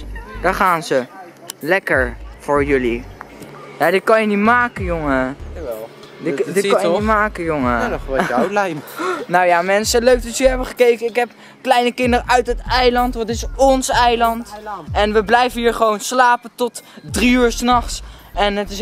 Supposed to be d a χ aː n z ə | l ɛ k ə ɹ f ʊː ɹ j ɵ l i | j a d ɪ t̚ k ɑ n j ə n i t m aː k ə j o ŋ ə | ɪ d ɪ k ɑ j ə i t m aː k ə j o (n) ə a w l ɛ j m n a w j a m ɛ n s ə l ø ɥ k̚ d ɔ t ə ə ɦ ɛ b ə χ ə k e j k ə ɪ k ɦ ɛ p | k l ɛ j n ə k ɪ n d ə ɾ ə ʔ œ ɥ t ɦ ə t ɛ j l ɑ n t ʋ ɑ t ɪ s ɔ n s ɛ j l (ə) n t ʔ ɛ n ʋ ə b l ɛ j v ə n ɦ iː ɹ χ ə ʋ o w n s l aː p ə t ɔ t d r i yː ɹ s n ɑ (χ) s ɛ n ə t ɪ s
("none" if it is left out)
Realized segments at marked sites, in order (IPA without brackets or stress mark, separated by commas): ŋ, ɑ, χ